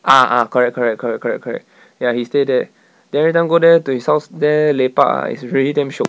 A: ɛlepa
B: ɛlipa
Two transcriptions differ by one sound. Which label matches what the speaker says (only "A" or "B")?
A